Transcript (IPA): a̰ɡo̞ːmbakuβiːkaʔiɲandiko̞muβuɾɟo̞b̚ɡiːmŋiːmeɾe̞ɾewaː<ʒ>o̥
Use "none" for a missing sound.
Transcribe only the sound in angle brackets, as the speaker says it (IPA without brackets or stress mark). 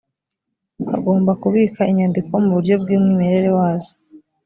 z